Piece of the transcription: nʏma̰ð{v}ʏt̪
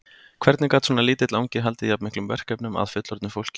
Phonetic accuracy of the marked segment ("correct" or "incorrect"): incorrect